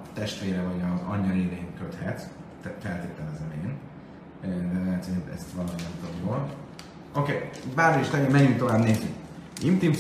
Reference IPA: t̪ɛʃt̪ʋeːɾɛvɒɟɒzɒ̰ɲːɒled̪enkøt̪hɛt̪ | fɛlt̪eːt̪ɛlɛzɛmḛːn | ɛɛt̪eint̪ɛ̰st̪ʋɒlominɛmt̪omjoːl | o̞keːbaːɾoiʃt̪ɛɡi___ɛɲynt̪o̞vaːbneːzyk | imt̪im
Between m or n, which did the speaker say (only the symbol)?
m